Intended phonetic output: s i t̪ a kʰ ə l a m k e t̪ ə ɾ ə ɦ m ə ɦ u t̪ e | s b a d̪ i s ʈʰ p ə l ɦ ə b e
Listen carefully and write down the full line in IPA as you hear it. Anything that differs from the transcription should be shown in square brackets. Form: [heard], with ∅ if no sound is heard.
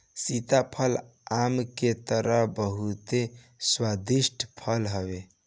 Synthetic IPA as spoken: s i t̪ a [pʰ] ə l a m k e t̪ ə ɾ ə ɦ [b] ə ɦ u t̪ e | s [w] a d̪ i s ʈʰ [pʰ] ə l ɦ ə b e